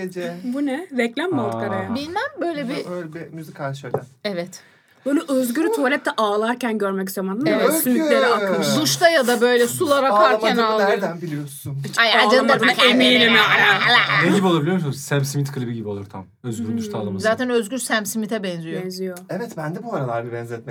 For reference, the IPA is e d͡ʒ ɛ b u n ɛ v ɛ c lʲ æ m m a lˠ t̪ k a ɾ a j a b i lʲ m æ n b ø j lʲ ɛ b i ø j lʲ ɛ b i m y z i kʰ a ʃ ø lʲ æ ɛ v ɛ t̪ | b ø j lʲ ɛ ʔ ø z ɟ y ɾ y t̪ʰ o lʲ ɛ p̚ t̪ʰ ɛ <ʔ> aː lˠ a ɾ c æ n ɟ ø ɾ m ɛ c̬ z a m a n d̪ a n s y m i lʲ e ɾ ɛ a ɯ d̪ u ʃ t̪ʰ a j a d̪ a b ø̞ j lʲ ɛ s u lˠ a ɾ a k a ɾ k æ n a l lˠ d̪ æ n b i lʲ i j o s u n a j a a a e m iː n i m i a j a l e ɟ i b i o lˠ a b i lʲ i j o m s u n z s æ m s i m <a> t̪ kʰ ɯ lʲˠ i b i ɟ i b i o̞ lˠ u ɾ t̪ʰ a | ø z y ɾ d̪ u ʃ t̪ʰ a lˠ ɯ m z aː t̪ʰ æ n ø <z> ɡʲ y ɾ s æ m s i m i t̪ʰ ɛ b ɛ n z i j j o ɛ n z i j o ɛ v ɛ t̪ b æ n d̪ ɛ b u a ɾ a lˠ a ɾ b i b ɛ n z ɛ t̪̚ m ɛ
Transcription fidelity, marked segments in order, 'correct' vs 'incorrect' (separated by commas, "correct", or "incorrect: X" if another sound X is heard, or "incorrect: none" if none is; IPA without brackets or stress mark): correct, incorrect: i, correct